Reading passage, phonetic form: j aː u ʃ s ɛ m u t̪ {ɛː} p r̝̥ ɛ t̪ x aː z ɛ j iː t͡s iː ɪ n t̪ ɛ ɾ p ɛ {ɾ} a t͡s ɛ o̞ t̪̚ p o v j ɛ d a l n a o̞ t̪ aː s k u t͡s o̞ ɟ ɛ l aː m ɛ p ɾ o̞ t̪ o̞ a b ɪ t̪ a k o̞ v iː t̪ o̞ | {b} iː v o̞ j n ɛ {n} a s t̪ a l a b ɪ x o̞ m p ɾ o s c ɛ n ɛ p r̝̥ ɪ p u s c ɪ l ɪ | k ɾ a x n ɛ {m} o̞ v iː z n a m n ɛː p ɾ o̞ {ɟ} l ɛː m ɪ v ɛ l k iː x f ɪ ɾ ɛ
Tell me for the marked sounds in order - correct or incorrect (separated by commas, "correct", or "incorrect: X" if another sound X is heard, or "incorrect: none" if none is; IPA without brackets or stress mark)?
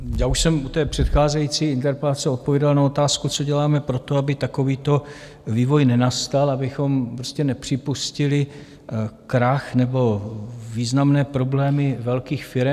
correct, incorrect: l, incorrect: v, correct, incorrect: b, incorrect: b